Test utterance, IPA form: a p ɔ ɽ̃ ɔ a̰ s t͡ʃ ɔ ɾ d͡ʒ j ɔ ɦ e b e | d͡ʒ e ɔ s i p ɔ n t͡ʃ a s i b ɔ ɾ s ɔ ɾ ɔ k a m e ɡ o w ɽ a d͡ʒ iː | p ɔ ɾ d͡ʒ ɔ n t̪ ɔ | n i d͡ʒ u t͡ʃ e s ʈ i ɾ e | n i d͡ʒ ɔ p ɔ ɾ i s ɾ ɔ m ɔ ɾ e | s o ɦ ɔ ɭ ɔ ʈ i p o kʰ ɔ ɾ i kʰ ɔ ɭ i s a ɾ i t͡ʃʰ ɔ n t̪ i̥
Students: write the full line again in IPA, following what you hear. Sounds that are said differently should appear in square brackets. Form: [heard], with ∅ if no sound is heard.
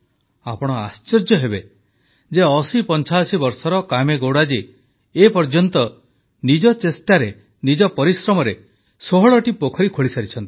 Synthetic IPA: a p ɔ ɽ̃ ɔ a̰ s t͡ʃ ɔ ɾ d͡ʒ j ɔ ɦ e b e | d͡ʒ e ɔ s i p ɔ n t͡ʃ a s i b ɔ ɾ s ɔ ɾ ɔ k a m e ɡ o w ɽ a d͡ʒ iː | p ɔ ɾ d͡ʒ ɔ n t̪ ɔ | n i d͡ʒ [ɔ] t͡ʃ e s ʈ [a] ɾ e | n i d͡ʒ ɔ p ɔ ɾ i s ɾ ɔ m ɔ ɾ e | s o ɦ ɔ ɭ ɔ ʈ i p o kʰ ɔ ɾ i kʰ [o] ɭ i s a ɾ i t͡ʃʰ ɔ n t̪ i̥